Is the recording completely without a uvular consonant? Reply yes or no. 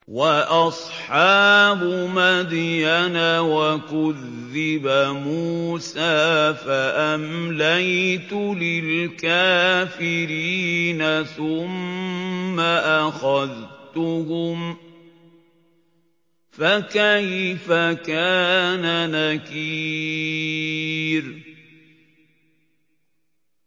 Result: yes